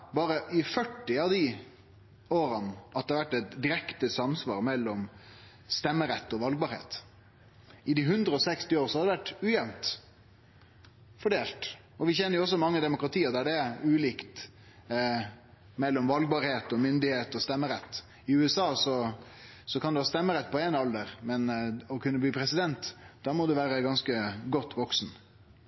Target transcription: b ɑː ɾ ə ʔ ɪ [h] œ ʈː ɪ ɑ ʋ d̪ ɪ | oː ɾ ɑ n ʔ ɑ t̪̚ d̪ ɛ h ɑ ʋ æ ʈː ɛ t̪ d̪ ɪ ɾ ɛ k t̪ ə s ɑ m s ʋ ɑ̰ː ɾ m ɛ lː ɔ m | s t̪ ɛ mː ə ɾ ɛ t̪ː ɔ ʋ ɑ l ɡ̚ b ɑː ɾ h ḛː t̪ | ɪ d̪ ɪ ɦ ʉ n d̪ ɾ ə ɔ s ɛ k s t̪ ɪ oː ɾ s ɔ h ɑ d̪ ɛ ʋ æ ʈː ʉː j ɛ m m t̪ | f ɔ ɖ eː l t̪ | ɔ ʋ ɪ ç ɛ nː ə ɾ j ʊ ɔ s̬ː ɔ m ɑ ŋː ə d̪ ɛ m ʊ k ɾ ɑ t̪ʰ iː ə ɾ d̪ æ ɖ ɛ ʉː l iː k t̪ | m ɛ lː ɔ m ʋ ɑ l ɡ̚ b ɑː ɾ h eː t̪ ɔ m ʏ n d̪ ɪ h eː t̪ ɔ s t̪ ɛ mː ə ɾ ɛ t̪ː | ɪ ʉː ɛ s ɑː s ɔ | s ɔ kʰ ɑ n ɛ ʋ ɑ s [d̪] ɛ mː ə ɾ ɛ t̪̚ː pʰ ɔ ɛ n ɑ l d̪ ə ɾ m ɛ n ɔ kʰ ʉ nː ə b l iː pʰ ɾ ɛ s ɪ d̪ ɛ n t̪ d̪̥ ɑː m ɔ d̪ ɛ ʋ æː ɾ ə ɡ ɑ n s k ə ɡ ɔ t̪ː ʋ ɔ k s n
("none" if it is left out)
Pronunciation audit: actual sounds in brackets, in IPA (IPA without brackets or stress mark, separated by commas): f, t̪